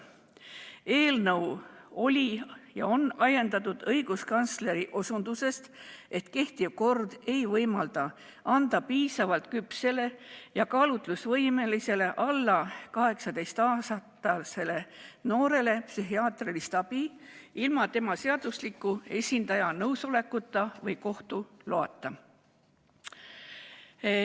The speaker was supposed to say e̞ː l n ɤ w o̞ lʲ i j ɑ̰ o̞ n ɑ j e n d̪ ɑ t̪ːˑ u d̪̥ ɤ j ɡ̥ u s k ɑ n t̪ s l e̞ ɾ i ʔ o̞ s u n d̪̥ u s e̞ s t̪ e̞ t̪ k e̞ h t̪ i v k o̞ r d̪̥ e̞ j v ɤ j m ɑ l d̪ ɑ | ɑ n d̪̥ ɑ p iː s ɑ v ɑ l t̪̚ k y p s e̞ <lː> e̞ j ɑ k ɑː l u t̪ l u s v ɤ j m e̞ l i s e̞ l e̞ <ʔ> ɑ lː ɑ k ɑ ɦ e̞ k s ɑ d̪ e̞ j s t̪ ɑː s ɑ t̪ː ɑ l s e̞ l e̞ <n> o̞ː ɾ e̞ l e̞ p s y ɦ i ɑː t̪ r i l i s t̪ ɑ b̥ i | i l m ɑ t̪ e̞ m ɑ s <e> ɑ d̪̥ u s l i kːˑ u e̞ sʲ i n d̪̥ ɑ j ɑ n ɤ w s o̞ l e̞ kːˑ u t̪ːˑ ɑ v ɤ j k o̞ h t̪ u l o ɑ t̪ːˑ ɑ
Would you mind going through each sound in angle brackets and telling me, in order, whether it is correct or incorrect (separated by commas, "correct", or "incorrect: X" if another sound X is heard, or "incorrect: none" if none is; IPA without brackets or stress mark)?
incorrect: l, correct, correct, correct